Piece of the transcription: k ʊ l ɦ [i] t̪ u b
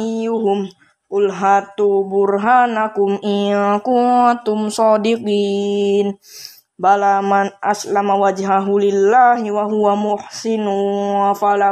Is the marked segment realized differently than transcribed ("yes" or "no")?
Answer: yes